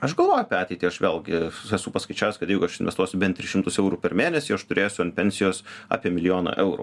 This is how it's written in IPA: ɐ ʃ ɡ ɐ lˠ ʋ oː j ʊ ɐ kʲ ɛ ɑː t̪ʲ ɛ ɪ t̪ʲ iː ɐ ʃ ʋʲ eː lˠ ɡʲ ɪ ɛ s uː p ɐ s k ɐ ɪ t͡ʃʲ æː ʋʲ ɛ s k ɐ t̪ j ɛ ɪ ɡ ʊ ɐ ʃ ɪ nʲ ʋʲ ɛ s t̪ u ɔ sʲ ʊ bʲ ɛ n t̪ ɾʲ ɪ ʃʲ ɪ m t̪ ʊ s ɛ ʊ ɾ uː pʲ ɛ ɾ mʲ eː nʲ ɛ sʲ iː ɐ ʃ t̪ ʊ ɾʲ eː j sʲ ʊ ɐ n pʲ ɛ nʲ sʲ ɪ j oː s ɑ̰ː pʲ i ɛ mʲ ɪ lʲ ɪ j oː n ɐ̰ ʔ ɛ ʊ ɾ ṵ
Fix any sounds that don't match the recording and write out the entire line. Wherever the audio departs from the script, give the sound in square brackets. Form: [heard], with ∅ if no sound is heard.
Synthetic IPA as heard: ɐ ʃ ɡ ɐ lˠ ʋ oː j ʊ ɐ [pʲ] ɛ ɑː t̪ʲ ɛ ɪ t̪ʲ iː ɐ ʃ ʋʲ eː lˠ ɡʲ ɪ ɛ s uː p ɐ s k ɐ ɪ t͡ʃʲ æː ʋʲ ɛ s k ɐ t̪ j ɛ ɪ ɡ ʊ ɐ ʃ ɪ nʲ ʋʲ ɛ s t̪ u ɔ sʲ ʊ bʲ ɛ n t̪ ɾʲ ɪ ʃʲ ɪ m t̪ ʊ s ɛ ʊ ɾ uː pʲ ɛ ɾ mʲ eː nʲ ɛ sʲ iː ɐ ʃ t̪ ʊ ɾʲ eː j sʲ ʊ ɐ n pʲ ɛ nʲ sʲ ɪ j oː s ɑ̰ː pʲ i ɛ mʲ ɪ lʲ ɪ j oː n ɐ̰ ʔ ɛ ʊ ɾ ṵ